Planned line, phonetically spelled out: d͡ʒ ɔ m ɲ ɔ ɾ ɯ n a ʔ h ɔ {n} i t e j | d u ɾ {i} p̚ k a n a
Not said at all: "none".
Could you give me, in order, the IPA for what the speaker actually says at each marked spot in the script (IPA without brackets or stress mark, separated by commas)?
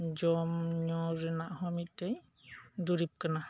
m, i